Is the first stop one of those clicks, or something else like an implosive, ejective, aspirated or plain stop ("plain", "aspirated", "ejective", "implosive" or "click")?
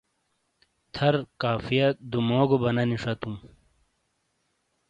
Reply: aspirated